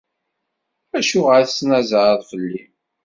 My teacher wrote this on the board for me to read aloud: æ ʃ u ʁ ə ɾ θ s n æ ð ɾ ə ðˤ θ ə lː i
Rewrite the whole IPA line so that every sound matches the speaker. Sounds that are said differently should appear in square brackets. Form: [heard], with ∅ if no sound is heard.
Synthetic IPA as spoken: æ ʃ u ʁ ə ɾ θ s n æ [z] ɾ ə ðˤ [f] ə lː i